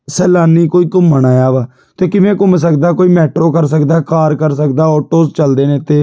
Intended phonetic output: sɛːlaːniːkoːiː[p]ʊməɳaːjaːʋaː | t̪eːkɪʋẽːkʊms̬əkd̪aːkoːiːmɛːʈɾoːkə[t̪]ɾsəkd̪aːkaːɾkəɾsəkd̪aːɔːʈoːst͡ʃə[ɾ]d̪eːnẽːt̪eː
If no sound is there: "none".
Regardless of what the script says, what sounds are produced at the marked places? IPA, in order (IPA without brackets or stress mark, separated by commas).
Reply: k, none, l